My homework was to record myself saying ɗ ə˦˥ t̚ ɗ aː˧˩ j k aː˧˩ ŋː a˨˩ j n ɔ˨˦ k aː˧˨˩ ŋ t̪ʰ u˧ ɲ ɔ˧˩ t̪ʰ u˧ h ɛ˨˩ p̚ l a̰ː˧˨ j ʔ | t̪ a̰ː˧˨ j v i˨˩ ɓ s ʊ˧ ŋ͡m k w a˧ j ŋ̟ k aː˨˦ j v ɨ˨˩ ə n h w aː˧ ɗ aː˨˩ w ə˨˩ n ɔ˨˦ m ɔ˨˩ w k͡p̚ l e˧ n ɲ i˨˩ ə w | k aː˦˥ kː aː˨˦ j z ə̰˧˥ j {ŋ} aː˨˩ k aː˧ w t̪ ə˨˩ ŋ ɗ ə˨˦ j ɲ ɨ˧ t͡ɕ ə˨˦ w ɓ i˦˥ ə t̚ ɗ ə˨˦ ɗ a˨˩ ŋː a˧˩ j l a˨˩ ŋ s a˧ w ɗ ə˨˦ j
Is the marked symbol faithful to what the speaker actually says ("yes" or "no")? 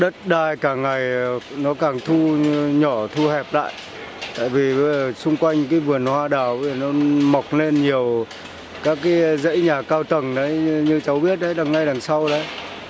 no